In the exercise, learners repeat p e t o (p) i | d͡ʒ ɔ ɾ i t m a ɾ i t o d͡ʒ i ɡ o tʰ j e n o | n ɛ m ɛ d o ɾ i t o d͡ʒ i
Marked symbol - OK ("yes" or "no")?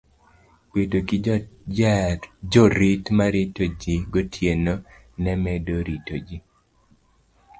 no